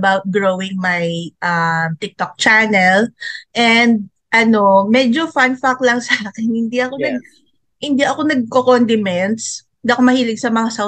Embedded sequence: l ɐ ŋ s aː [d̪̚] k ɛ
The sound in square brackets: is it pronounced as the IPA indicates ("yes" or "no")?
no